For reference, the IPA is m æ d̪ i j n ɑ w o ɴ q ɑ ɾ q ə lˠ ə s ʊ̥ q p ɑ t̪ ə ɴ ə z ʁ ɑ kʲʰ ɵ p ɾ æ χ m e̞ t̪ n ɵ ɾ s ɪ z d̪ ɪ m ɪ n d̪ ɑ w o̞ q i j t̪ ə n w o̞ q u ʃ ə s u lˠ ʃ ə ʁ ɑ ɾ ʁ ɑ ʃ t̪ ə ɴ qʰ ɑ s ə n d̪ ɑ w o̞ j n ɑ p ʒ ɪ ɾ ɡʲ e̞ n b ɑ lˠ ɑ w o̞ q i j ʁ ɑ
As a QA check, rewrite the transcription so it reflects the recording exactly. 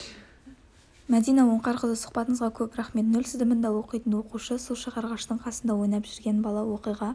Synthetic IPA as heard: m æ d̪ i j n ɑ w o ɴ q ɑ ɾ q ə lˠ ə s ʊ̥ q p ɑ t̪ ə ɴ ə z ʁ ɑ kʲʰ ɵ p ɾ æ χ m e̞ t̪ n ɵ l s ɪ z d̪ ɪ m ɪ n d̪ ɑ w o̞ q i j t̪ ə n w o̞ q u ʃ ə s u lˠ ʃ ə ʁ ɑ ɾ ʁ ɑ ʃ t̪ ə ɴ qʰ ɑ s ə n d̪ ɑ w o̞ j n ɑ p ʒ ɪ ɾ ɡʲ e̞ n b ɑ lˠ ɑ w o̞ q i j ʁ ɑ